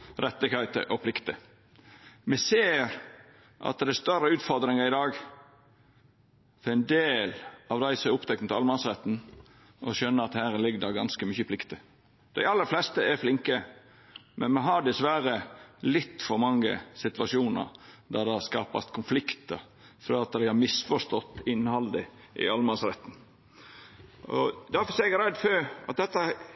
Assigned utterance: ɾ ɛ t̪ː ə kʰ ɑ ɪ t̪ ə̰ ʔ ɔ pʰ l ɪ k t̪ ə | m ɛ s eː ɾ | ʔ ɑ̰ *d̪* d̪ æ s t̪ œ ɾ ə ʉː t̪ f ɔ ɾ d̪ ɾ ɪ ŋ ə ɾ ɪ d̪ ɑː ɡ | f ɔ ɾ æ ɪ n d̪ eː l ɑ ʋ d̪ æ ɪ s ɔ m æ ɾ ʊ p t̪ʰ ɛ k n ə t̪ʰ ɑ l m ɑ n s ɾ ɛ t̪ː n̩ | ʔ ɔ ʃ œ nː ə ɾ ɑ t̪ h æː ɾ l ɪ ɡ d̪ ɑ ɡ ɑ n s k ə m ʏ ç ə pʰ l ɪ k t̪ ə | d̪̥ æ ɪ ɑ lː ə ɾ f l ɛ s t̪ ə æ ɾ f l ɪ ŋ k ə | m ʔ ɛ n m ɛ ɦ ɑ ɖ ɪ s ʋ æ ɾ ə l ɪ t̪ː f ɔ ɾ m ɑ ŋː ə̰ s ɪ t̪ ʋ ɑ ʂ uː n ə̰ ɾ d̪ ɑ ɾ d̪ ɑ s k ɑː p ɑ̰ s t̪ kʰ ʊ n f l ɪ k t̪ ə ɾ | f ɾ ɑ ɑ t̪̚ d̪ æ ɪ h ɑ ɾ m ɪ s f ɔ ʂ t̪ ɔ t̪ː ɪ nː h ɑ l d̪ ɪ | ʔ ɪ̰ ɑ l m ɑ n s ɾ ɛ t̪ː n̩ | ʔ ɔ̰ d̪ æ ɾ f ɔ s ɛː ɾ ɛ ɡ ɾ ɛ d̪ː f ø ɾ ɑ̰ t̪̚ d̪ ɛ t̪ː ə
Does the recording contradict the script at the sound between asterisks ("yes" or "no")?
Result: yes